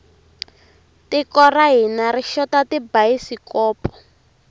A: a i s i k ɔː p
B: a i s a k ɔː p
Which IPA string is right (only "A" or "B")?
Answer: A